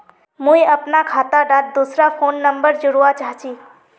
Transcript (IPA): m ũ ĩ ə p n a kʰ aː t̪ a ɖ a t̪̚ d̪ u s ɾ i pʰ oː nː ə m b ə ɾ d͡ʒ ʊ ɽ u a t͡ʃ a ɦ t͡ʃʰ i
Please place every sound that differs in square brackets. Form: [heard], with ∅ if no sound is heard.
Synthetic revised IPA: m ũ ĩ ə p n a kʰ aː t̪ a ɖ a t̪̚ d̪ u s ɾ [a] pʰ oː nː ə m b ə ɾ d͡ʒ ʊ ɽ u a t͡ʃ a ɦ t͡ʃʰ i